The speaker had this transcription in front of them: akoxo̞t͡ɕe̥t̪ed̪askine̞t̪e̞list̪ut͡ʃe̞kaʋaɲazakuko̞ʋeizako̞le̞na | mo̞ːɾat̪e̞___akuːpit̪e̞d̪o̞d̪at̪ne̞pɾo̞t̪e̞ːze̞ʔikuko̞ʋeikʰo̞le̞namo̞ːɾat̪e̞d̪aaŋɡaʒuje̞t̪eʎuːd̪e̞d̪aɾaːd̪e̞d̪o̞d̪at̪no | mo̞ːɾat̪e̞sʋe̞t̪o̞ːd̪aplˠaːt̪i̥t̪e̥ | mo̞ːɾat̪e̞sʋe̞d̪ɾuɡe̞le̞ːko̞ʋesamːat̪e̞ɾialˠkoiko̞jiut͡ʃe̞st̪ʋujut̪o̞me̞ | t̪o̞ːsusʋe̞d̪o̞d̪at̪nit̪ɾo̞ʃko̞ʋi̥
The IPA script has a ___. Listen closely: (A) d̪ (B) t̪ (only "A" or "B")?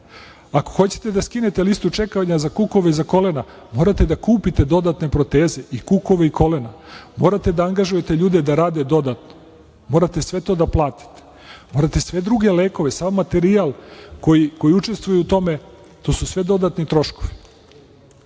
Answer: A